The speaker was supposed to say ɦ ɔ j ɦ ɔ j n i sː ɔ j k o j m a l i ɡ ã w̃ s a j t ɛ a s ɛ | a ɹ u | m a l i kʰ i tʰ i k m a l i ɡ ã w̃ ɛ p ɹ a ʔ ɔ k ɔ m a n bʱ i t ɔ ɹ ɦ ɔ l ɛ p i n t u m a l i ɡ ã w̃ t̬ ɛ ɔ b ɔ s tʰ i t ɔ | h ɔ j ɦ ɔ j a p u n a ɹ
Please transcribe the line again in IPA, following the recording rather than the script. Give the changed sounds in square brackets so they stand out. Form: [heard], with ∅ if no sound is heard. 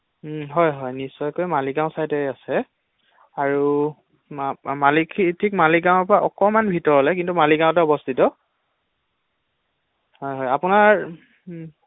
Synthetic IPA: ɦ ɔ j ɦ ɔ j n i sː ɔ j k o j m a l i ɡ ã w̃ s a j t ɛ a s ɛ | a ɹ u | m a l i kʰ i tʰ i k m a l i ɡ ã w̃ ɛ p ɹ a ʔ ɔ k ɔ m a n bʱ i t ɔ ɹ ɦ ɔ l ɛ [k] i n t u m a l i ɡ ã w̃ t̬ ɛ ɔ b ɔ s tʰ i t ɔ | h ɔ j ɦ ɔ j a p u n a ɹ